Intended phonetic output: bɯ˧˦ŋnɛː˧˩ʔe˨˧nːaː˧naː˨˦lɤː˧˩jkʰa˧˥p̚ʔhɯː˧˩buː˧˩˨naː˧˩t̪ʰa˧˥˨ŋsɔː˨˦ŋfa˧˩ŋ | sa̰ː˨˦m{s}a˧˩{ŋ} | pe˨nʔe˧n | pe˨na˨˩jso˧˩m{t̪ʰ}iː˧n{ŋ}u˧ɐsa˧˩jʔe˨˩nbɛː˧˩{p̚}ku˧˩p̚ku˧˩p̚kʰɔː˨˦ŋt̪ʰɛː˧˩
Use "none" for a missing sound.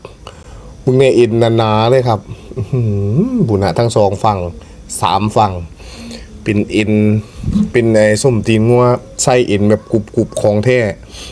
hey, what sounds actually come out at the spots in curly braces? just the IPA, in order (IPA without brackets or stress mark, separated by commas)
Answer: f, ŋ, t̪, ŋ, p̚